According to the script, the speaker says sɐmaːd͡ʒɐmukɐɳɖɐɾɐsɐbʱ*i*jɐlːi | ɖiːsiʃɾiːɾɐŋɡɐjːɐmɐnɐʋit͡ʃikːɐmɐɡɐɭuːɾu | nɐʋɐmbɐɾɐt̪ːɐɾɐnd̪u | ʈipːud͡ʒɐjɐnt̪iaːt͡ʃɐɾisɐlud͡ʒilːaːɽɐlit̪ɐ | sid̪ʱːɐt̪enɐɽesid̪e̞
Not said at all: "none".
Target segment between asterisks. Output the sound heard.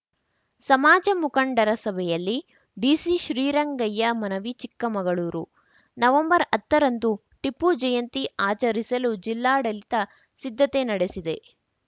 ɛ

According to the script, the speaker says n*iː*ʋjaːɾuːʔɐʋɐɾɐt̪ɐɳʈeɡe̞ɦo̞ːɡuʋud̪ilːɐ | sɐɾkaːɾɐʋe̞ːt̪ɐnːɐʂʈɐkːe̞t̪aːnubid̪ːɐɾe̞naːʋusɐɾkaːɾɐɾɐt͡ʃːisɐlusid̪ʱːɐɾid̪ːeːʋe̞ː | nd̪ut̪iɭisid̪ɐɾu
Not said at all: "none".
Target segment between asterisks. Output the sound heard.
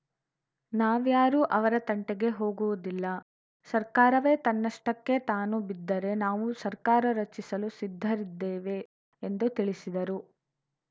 aː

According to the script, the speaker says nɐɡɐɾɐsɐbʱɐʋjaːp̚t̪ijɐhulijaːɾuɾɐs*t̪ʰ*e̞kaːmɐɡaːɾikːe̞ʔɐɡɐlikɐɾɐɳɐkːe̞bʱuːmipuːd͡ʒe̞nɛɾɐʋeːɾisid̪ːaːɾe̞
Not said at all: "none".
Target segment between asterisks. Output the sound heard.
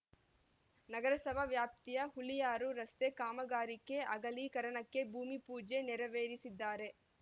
t̪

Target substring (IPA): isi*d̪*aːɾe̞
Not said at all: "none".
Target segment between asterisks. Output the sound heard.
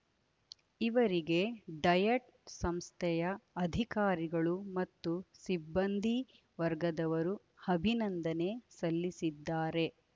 d̪ː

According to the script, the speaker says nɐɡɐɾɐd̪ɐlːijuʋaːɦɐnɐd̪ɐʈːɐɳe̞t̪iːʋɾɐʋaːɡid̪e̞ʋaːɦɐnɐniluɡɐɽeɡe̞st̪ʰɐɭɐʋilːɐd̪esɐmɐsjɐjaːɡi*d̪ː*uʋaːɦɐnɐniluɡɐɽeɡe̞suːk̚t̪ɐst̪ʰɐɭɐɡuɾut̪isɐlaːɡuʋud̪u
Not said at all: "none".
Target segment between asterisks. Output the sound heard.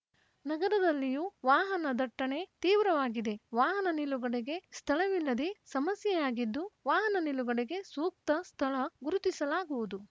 d̪ː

